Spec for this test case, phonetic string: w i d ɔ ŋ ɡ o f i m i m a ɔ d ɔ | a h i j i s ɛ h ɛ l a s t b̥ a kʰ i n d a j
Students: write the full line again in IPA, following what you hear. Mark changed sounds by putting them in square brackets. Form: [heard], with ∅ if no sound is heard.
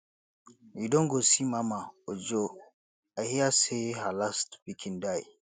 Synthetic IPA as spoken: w i d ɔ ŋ ɡ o [s] i m [a] m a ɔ [d͡ʒ] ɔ | a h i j [a] s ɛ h [a] l a s t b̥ [i] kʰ i n d a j